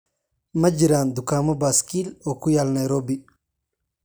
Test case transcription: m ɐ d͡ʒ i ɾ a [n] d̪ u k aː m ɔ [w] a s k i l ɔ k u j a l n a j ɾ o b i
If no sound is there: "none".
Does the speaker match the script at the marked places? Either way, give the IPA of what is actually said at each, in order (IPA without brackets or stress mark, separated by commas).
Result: n, b